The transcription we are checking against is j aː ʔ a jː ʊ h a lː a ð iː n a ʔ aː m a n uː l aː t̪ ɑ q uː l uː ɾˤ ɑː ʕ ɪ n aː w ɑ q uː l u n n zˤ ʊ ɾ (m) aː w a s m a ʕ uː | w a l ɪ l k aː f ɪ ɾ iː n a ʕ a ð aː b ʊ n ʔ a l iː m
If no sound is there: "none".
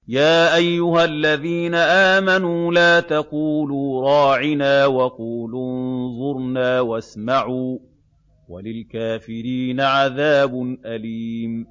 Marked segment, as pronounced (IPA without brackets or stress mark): n